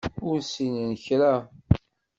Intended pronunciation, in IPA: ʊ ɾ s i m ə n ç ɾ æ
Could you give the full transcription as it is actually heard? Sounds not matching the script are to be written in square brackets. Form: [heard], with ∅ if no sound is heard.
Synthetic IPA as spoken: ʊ ɾ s i [n] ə n ç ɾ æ